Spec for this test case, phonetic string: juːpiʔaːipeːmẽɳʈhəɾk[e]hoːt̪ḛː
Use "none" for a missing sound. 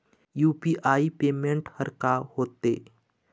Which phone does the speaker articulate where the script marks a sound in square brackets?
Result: a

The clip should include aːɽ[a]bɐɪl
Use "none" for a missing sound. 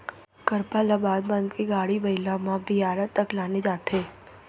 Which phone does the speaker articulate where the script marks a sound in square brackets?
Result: i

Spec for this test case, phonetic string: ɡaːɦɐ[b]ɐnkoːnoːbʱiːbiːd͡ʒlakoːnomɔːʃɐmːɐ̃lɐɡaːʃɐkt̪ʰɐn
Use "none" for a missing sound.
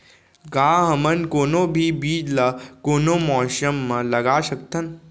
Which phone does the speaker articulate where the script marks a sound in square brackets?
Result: m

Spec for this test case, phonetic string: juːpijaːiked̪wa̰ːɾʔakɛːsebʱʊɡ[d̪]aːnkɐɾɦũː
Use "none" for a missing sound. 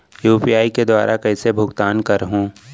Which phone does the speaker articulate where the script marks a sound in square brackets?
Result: t̪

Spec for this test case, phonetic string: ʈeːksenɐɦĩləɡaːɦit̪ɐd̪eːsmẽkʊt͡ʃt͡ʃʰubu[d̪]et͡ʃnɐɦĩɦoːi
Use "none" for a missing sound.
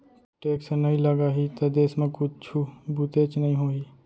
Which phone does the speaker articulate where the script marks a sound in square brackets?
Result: t̪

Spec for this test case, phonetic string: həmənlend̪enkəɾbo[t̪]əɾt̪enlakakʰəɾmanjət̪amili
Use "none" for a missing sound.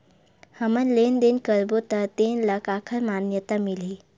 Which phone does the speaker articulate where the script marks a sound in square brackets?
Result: t̪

